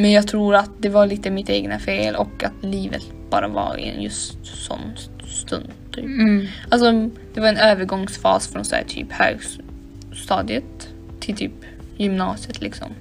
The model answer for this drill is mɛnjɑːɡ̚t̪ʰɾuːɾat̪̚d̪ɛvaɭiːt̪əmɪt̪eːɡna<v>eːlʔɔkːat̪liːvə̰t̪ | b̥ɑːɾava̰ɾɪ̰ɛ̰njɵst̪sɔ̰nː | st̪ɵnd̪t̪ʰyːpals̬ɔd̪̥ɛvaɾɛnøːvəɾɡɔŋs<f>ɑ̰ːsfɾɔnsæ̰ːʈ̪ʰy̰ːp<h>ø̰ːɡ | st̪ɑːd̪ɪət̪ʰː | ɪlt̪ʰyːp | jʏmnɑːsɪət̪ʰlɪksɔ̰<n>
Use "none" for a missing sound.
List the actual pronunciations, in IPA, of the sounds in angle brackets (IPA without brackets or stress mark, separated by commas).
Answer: f, f, h, m